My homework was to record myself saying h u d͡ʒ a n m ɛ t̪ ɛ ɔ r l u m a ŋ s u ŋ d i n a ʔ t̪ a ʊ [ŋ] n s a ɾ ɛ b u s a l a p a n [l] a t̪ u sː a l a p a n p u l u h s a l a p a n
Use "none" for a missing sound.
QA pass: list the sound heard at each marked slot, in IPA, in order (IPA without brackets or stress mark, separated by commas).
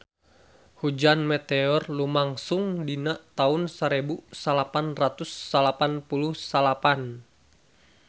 none, r